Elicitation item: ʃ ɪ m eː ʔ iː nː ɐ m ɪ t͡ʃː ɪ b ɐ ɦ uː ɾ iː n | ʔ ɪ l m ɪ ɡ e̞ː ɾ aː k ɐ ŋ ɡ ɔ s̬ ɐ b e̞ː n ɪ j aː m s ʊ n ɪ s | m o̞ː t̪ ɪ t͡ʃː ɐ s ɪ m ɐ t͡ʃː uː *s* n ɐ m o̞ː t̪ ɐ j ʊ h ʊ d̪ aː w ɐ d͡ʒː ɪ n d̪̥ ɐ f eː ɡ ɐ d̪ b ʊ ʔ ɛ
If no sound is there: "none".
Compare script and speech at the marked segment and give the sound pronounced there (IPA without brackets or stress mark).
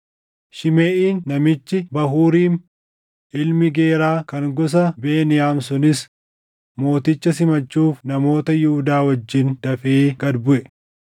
f